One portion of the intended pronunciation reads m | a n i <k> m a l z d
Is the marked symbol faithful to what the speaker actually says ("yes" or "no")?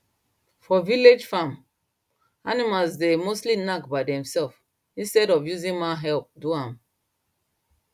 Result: no